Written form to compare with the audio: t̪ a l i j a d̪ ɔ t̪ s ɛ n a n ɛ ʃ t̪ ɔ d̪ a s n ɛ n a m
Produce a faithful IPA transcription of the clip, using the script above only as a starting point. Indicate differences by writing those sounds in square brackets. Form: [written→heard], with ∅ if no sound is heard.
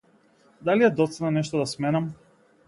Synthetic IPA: [t̪→d̪] a l i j a d̪ ɔ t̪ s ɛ n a n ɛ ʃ t̪ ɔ d̪ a s [n→m] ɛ n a m

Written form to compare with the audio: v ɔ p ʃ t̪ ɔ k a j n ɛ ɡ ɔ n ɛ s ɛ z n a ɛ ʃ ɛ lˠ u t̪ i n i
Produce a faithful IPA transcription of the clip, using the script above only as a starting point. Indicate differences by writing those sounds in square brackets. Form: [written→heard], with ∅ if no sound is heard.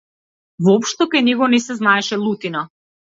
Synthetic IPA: v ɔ p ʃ t̪ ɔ k a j n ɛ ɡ ɔ n ɛ s ɛ z n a ɛ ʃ ɛ lˠ u t̪ i n [i→a]

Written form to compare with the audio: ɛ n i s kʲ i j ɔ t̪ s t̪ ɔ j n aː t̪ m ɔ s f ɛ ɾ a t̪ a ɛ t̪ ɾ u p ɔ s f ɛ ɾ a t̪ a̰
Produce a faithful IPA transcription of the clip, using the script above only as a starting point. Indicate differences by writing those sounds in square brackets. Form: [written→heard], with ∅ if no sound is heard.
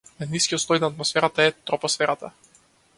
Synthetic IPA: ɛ n i s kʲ i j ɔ t̪ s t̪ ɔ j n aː t̪ m ɔ s f ɛ ɾ a t̪ a ɛ t̪ ɾ [u→ɔ] p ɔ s f ɛ ɾ a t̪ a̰

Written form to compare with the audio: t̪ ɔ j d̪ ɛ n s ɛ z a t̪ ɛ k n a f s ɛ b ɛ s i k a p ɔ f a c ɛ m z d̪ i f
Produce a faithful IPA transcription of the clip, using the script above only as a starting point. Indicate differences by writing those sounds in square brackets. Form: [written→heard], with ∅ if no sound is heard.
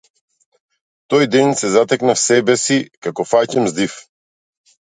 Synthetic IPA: t̪ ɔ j d̪ ɛ n s ɛ z a t̪ ɛ k n a f s ɛ b ɛ s i k a [p→k] ɔ f a c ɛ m z d̪ i f

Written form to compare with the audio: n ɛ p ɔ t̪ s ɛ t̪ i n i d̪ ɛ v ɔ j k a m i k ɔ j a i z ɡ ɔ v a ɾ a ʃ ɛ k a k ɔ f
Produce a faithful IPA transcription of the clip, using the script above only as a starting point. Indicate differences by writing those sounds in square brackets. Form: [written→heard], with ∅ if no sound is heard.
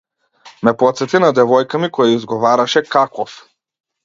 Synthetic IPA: [n→m] ɛ p ɔ t̪ s ɛ t̪ i n [i→a] d̪ ɛ v ɔ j k a m i k ɔ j a i z ɡ ɔ v a ɾ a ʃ ɛ k a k ɔ f

